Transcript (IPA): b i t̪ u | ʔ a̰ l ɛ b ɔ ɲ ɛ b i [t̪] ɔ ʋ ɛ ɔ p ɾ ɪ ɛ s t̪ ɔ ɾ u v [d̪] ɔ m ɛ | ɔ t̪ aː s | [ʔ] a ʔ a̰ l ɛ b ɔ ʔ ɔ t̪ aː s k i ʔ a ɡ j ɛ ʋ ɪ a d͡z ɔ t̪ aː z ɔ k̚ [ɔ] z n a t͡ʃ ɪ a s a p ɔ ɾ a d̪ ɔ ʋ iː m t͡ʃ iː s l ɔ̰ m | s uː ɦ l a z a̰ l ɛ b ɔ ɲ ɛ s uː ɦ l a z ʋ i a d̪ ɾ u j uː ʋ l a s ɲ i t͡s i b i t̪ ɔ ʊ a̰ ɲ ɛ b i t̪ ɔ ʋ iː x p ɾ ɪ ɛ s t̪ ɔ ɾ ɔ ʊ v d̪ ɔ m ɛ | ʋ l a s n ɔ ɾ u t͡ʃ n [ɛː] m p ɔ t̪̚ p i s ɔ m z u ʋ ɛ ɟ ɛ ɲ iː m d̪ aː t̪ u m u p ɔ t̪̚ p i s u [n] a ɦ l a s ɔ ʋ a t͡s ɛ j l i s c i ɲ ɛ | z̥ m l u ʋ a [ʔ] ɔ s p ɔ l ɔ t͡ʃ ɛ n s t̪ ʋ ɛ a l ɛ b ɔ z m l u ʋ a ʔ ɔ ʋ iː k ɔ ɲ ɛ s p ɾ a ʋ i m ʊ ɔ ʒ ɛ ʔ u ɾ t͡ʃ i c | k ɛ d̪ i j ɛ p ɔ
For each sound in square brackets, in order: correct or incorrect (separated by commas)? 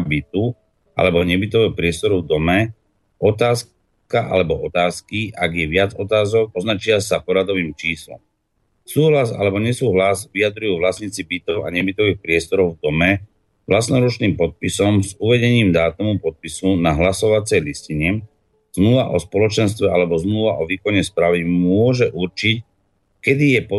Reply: correct, correct, incorrect, correct, incorrect, correct, correct